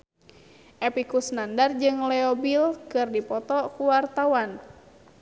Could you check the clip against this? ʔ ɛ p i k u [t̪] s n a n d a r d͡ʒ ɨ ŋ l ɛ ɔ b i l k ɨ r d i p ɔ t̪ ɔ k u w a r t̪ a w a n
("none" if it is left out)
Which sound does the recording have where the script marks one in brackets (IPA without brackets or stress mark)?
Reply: none